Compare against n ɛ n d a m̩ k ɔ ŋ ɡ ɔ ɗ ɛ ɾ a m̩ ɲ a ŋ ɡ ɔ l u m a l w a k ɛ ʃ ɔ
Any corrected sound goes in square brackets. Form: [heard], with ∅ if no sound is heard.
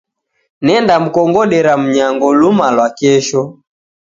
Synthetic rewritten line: n ɛ n d a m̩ k ɔ ŋ ɡ ɔ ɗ ɛ ɾ a m̩ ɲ a ŋ ɡ ɔ l u m a l w a k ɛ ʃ ɔ